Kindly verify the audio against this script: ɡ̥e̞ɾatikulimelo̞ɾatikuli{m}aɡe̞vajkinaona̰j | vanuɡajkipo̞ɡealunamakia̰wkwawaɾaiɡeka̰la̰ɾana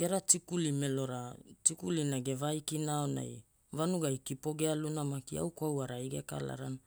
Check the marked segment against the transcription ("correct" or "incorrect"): incorrect